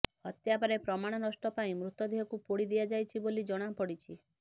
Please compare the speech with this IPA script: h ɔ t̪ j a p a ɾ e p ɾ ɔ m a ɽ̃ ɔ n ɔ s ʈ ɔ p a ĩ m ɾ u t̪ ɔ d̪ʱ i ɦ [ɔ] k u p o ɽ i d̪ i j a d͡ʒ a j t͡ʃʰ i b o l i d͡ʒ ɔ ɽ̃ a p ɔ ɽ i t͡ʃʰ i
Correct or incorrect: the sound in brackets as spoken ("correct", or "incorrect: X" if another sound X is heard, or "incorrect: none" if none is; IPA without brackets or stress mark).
correct